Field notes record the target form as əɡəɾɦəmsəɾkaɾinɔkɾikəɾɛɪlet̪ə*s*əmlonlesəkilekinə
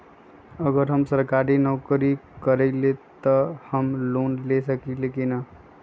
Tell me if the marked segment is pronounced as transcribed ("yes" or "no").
no